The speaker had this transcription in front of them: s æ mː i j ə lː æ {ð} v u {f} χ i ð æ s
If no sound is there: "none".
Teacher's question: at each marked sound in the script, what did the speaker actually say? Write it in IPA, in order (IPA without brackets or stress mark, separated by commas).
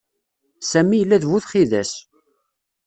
ð, θ